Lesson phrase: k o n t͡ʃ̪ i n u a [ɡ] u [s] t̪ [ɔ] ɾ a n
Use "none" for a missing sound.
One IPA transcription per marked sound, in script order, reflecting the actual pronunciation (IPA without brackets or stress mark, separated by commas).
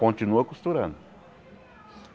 k, s, u